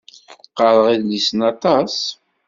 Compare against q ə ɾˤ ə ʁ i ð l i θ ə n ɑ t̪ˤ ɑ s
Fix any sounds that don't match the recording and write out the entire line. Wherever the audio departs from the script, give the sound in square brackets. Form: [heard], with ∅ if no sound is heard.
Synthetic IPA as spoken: q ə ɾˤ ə ʁ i ð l i [s] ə n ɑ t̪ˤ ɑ s